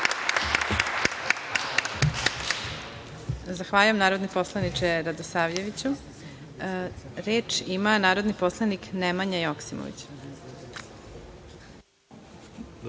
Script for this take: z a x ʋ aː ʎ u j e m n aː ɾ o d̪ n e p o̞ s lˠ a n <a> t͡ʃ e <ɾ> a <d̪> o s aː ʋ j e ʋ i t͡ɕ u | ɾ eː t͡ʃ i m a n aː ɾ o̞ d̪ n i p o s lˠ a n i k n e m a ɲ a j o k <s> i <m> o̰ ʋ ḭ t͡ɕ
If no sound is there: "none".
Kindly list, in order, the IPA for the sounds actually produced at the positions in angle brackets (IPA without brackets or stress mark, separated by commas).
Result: i, ɾ, d̪, s, m